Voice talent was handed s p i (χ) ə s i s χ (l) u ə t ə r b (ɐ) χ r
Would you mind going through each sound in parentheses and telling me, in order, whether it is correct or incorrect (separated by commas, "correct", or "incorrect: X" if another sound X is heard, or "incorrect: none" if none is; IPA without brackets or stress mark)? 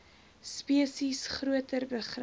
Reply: incorrect: none, incorrect: r, incorrect: ə